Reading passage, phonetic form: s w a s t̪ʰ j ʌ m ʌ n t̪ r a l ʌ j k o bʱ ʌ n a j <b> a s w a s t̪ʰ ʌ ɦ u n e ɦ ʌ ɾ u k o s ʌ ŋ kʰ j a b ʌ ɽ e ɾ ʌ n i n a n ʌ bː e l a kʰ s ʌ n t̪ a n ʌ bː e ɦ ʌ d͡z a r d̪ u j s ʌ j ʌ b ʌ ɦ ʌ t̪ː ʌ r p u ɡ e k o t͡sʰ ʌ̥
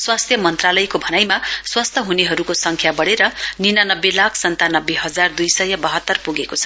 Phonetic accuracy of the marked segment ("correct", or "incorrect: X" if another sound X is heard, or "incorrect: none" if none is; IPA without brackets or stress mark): incorrect: m